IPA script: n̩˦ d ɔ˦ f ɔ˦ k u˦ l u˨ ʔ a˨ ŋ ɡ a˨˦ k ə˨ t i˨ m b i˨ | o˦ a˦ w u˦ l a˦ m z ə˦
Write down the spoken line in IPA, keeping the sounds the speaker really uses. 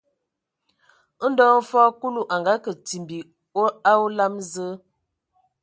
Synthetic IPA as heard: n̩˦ d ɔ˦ f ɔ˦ k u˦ l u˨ ʔ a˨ ŋ ɡ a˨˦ k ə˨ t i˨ m b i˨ | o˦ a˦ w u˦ l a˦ m z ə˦